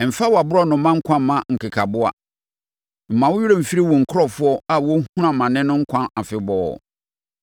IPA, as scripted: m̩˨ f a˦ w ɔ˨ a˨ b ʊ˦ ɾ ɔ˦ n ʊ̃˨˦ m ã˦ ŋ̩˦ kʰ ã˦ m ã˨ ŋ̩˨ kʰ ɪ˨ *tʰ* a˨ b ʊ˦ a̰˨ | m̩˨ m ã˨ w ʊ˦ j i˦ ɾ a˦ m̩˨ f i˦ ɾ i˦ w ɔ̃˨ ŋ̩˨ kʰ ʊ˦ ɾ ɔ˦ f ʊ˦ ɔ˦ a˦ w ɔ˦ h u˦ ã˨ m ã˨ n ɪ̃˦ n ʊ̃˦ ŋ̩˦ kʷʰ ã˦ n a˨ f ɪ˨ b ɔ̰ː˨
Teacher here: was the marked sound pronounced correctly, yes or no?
no